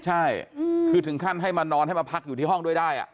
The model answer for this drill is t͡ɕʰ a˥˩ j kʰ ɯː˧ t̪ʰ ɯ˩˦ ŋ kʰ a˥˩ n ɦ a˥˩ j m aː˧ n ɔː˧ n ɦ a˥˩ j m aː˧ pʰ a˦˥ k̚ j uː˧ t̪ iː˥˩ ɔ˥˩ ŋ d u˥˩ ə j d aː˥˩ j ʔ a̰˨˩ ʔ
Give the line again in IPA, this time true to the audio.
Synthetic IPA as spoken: t͡ɕʰ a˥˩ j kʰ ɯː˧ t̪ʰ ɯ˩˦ ŋ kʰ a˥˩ n ɦ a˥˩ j m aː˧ n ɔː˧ n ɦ a˥˩ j m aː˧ pʰ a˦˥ k̚ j uː˨˩ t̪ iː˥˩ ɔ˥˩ ŋ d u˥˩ ə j d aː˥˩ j ʔ a̰˨˩ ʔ